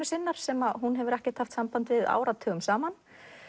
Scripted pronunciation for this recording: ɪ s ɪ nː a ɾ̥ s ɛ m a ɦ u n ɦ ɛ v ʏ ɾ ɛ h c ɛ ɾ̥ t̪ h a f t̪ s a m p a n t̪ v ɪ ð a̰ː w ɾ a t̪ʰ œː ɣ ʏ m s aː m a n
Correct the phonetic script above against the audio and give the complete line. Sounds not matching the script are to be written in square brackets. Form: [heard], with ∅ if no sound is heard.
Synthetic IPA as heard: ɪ s ɪ nː a ɾ̥ s ɛ m a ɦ u n ɦ ɛ v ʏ ɾ ɛ h c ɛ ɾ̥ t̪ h a f t̪ s a m p a n t̪ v ɪ ð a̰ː w ɾ a t̪ʰ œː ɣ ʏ m s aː m a n